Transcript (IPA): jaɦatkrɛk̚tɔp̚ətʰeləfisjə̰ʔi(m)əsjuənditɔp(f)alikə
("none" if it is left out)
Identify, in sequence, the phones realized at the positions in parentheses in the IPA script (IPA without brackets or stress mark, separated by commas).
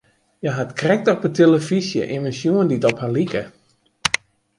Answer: m, h